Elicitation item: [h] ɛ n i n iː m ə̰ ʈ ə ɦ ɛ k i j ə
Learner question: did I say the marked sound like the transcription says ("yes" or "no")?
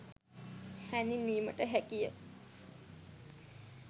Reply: yes